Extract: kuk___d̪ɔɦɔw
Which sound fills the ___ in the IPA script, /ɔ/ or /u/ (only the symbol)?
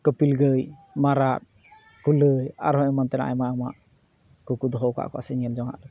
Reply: u